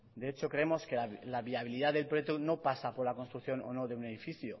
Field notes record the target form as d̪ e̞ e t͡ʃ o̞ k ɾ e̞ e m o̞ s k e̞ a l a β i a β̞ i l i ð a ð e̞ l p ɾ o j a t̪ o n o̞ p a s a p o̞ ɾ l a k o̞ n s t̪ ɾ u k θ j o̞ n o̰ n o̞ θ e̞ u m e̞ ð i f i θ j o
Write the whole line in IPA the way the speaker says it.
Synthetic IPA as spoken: d̪ e̞ e t͡ʃ o̞ k ɾ e̞ e m o̞ s k e̞ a l a β i a β̞ i l i ð a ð e̞ l p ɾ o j e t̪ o n o̞ p a s a p o̞ ɾ l a k o̞ n s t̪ ɾ u k θ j o̞ n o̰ n o̞ ð e̞ u n e̞ ð i f i θ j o

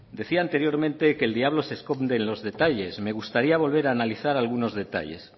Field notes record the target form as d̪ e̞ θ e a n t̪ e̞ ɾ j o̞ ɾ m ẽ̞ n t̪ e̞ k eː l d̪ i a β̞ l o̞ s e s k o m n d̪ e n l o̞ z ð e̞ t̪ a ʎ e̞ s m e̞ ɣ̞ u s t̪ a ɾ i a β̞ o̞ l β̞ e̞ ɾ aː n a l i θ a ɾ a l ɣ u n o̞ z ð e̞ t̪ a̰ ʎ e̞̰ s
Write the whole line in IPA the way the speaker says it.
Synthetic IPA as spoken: d̪ e̞ θ i a n t̪ e̞ ɾ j o̞ ɾ m ẽ̞ n t̪ e̞ k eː l d̪ i a β̞ l o̞ s e s k o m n d̪ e n l o̞ z ð e̞ t̪ a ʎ e̞ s m e̞ ɣ̞ u s t̪ a ɾ i a β̞ o̞ l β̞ e̞ ɾ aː n a l i θ a ɾ a l ɣ u n o̞ z ð e̞ t̪ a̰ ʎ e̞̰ s

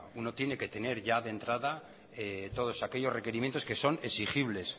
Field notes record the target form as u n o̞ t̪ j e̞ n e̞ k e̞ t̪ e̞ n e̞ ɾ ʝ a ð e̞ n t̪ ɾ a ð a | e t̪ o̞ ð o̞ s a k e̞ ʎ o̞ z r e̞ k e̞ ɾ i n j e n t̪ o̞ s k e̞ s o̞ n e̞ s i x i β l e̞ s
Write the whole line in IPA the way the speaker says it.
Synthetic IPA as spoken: u n o̞ t̪ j e̞ n e̞ k e̞ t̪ e̞ n e̞ ɾ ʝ a ð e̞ n t̪ ɾ a ð a | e t̪ o̞ ð o̞ s a k e̞ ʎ o̞ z r e̞ k e̞ ɾ i m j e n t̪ o̞ s k e̞ s o̞ n e̞ s i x i β l e̞ s

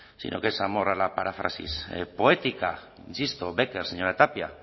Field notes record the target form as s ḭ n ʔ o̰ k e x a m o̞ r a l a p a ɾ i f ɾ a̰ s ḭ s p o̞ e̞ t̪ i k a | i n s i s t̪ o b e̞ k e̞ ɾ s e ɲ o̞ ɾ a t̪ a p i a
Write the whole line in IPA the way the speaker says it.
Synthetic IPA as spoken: s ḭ n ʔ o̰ k e s a m o̞ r a l a p a ɾ a f ɾ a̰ s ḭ s p o̞ e̞ t̪ i k a | i n s i s t̪ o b e̞ k e̞ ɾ s e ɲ o̞ ɾ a t̪ a p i a

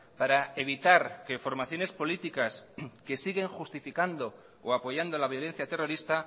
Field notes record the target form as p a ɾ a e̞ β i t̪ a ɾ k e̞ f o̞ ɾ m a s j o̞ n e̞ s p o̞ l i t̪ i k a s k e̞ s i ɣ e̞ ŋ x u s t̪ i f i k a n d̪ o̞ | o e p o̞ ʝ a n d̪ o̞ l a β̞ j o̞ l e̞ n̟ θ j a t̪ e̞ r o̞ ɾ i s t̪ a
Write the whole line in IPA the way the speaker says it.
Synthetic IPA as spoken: p a ɾ a e̞ β i t̪ a ɾ k e̞ f o̞ ɾ m a θ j o̞ n e̞ s p o̞ l i t̪ i k a s k e̞ s i ɣ e̞ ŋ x u s t̪ i f i k a n d̪ o̞ | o a p o̞ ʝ a n d̪ o̞ l a β̞ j o̞ l e̞ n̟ θ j a t̪ e̞ r o̞ ɾ i s t̪ a

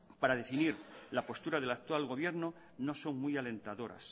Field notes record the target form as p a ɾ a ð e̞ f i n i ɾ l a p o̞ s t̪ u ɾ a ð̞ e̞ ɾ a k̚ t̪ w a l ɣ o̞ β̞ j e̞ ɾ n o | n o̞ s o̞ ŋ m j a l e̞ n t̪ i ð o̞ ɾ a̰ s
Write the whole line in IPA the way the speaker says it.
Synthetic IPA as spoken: p a ɾ a ð e̞ f i n i ɾ l a p o̞ s t̪ u ɾ a ð̞ e̞ l a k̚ t̪ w a l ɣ o̞ β̞ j e̞ ɾ n o | n o̞ s o̞ ŋ m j a l e̞ n t̪ a ð o̞ ɾ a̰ s

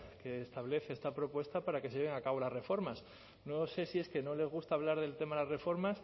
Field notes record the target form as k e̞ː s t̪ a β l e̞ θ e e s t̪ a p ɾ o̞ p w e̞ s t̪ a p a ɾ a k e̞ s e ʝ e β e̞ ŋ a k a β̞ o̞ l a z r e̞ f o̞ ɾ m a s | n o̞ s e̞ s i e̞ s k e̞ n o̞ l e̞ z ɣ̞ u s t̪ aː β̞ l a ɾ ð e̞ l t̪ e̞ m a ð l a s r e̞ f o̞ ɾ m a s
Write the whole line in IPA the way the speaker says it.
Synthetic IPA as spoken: k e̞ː s t̪ a β l e̞ θ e e s t̪ a p ɾ o̞ p w e̞ s t̪ a p a ɾ a k e̞ s e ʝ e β e̞ ŋ a k a β̞ o̞ l a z r e̞ f o̞ ɾ m a s | n o̞ s e̞ s i e̞ s k e̞ n o̞ l e̞ z ɣ̞ u s t̪ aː β̞ l a ɾ ð e̞ l t̪ e̞ m a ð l a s r e̞ f o̞ ɾ m a s

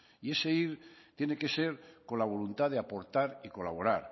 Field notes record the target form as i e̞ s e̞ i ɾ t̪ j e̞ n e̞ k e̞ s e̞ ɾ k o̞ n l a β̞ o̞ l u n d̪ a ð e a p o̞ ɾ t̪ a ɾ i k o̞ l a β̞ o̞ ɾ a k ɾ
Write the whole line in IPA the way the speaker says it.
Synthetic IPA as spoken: i e̞ s e̞ i ɾ t̪ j e̞ n e̞ k e̞ s e̞ ɾ k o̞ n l a β̞ o̞ l u n t̪ a ð e a p o̞ ɾ t̪ a ɾ i k o̞ l a β̞ o̞ ɾ a ɾ

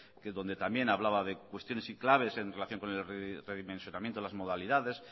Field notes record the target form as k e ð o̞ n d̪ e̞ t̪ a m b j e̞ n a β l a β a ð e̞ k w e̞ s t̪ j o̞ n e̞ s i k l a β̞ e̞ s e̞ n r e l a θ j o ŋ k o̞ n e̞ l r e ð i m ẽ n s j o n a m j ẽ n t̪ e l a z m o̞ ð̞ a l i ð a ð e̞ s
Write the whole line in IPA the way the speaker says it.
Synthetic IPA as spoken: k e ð o̞ n d̪ e̞ t̪ a m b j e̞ n a β l a β a ð e̞ k w e̞ s t̪ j o̞ n e̞ s i k l a β̞ e̞ s e̞ n r e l a θ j o ŋ k o̞ n e̞ l r e ð i m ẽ n s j o n a m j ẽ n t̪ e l a z m o̞ ð̞ a l i ð a ð e̞ s

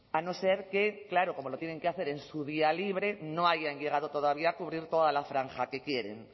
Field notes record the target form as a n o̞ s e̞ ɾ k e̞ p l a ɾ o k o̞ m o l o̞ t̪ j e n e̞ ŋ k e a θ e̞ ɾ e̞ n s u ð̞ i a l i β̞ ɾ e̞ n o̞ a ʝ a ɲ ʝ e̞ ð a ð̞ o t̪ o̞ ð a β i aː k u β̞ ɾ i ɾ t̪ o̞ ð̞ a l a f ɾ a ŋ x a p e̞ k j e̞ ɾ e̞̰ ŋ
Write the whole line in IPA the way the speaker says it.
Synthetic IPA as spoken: a n o̞ s e̞ ɾ k e̞ k l a ɾ o k o̞ m o l o̞ t̪ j e n e̞ ŋ k e a θ e̞ ɾ e̞ n s u ð̞ i a l i β̞ ɾ e̞ n o̞ a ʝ a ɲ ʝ e̞ ɣ a ð̞ o t̪ o̞ ð a β i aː k u β̞ ɾ i ɾ t̪ o̞ ð̞ a l a f ɾ a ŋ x a k e̞ k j e̞ ɾ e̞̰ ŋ

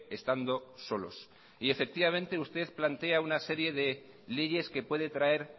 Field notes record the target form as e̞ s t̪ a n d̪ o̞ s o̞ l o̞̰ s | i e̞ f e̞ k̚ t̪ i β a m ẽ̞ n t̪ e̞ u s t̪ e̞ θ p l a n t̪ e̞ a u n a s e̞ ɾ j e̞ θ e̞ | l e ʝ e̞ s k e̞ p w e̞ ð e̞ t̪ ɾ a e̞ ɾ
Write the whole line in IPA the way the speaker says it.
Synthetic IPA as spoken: e̞ s t̪ a n d̪ o̞ s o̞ l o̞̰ s | i e̞ f e̞ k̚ t̪ i β a m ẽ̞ n t̪ e̞ u s t̪ e̞ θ p l a n t̪ e̞ a u n a s e̞ ɾ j e̞ ð e̞ | l e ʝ e̞ s k e̞ p w e̞ ð e̞ t̪ ɾ a e̞ ɾ

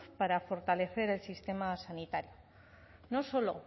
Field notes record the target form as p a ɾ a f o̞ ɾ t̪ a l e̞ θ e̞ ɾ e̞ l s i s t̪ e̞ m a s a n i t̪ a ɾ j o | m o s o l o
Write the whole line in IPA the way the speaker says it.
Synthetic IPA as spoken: p a ɾ a f o̞ ɾ t̪ a l e̞ θ e̞ ɾ e̞ l s i s t̪ e̞ m a s a n i t̪ a ɾ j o | n o s o l o

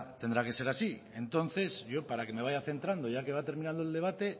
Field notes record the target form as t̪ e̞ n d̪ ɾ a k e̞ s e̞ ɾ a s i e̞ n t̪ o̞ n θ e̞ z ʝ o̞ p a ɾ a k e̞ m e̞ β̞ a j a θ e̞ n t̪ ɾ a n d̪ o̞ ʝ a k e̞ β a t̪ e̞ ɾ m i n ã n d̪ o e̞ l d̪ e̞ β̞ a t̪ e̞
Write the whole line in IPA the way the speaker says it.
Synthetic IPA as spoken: t̪ e̞ n d̪ ɾ a k e̞ s e̞ ɾ a s i e̞ n t̪ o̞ n θ e̞ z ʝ o̞ p a ɾ a k e̞ m e̞ β̞ a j a θ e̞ n t̪ ɾ a n d̪ o̞ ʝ a k e̞ β a t̪ e̞ ɾ m i n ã n d̪ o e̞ l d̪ e̞ β̞ a t̪ e̞

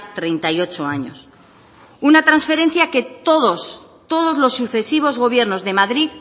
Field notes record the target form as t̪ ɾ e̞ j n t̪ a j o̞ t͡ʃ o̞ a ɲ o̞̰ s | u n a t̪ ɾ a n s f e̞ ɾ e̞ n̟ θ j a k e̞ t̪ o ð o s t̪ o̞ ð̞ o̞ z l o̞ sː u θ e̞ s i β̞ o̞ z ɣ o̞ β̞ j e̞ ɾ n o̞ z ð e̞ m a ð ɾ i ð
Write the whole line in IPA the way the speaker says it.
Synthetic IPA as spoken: t̪ ɾ e̞ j n t̪ a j o̞ t͡ʃ o̞ a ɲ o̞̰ s | u n a t̪ ɾ a n s f e̞ ɾ e̞ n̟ θ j a k e̞ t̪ o ð o s t̪ o̞ ð̞ o̞ z l o̞ sː u θ e̞ s i β̞ o̞ z ɣ o̞ β̞ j e̞ ɾ n o̞ z ð e̞ m a ð ɾ i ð

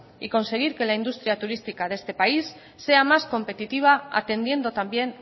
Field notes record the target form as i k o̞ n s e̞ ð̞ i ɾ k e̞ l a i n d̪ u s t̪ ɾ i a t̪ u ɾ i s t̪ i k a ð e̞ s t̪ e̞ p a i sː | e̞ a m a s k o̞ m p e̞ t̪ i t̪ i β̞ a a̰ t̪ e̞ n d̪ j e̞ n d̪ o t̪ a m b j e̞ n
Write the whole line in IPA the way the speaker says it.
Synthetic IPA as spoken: i k o̞ n s e̞ ɣ̞ i ɾ k e̞ l a i n d̪ u s t̪ ɾ i a t̪ u ɾ i s t̪ i k a ð e̞ s t̪ e̞ p a i sː | e̞ a m a s k o̞ m p e̞ t̪ i t̪ i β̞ a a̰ t̪ e̞ n d̪ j e̞ n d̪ o t̪ a m b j e̞ n

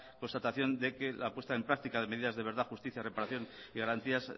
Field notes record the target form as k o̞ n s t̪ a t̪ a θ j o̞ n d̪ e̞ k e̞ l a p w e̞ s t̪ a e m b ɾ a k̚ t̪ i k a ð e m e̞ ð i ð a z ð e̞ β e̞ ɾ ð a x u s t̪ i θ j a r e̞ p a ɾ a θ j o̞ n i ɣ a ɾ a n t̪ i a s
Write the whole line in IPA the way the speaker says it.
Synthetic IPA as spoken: k o̞ n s t̪ a t̪ a θ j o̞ n d̪ e̞ k e̞ l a p w e̞ s t̪ a e m p ɾ a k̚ t̪ i k a ð e m e̞ ð i ð a z ð e̞ β e̞ ɾ ð a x u s t̪ i θ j a r e̞ p a ɾ a θ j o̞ n i ɣ a ɾ a n t̪ i a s

